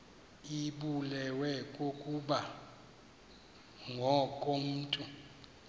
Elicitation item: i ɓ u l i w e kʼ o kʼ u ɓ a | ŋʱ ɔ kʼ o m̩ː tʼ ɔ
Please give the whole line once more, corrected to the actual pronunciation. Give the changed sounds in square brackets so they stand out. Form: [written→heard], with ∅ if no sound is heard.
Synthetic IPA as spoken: i ɓ u l [i→ɛ] w [e→ɛ] kʼ o kʼ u ɓ a | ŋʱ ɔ kʼ o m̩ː tʼ [ɔ→u]